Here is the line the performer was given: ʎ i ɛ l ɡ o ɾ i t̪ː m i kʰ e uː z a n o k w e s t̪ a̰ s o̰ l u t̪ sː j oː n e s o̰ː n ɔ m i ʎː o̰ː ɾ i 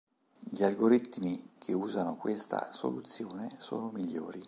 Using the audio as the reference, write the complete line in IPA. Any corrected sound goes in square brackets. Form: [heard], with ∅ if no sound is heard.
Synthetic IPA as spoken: ʎ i [a] l ɡ o ɾ i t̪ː m i kʰ e uː z a n o k w e s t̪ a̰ s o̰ l u t̪ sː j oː n e s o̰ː n [o] m i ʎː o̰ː ɾ i